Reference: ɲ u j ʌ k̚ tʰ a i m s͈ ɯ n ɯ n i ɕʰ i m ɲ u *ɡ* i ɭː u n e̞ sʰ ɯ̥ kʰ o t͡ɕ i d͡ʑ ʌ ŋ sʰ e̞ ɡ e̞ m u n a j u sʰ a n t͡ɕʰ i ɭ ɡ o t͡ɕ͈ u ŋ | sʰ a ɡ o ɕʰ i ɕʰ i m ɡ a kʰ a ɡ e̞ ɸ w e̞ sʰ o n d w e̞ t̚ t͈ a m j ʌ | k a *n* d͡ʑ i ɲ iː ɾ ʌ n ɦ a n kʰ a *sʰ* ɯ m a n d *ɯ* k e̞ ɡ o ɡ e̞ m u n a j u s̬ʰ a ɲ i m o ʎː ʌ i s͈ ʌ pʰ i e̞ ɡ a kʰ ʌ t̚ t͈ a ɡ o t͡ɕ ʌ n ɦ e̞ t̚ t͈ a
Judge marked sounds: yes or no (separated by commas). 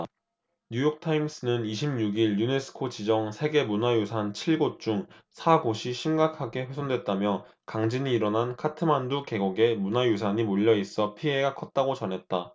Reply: yes, no, no, no